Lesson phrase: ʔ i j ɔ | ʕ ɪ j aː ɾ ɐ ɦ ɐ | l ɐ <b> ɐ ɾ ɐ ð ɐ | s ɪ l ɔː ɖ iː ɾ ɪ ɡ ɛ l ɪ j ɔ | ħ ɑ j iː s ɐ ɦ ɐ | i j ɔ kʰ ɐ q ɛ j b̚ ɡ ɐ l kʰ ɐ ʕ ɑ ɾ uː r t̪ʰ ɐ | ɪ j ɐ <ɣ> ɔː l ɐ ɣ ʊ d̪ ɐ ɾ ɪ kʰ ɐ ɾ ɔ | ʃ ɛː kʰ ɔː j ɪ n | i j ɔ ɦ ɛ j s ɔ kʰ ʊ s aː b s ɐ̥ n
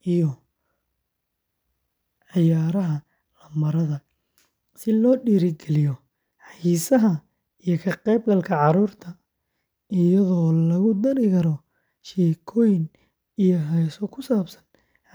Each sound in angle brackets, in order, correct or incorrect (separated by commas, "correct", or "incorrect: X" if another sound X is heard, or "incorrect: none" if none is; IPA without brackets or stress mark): incorrect: m, incorrect: ð